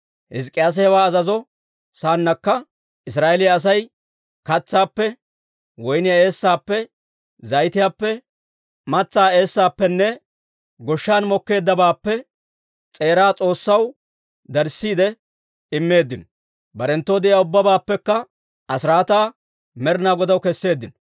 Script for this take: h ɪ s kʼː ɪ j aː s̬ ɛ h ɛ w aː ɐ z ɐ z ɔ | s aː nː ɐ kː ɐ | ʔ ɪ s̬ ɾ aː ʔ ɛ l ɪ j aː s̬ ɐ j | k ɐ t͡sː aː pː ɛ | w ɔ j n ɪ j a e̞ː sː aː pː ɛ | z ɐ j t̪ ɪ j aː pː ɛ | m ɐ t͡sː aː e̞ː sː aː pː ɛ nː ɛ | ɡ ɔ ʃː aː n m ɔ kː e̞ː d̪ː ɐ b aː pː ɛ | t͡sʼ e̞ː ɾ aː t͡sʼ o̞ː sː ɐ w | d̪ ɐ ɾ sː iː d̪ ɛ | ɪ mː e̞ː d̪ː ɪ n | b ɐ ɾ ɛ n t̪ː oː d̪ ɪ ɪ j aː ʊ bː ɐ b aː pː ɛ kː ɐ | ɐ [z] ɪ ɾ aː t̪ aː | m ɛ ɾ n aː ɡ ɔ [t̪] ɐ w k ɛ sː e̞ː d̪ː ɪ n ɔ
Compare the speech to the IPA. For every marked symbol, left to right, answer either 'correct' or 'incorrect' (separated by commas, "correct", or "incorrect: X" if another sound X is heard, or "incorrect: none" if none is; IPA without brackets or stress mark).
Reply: incorrect: s, incorrect: d̪